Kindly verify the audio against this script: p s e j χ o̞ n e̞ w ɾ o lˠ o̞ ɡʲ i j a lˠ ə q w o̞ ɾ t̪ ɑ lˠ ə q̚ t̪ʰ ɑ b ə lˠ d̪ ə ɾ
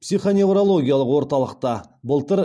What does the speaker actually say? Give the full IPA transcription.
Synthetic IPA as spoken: p s i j χ o̞ n e̞ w ɾ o lˠ o̞ ɡʲ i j a lˠ ə q w o̞ ɾ t̪ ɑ lˠ ə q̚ t̪ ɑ b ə lˠ t̪ ə ɾ